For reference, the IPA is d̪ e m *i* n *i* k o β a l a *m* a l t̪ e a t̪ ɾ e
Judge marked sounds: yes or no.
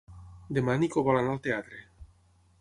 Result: no, yes, no

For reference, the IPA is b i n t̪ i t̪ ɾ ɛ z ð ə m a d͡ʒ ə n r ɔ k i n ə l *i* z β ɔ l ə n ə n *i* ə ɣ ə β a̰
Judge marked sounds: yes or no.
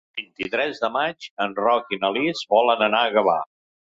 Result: yes, no

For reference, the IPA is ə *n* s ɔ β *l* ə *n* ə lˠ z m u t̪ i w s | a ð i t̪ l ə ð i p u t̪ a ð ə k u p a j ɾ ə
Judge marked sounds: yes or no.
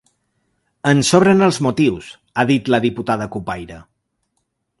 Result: yes, no, yes

